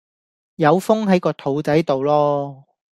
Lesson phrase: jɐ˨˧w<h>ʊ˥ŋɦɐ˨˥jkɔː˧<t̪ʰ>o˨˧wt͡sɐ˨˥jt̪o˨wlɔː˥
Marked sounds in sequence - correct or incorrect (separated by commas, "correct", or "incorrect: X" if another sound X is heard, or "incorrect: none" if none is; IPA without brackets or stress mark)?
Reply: incorrect: f, correct